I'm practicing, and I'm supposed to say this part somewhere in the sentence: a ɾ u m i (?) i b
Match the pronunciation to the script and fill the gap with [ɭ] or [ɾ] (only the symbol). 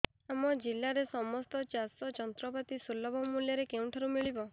ɭ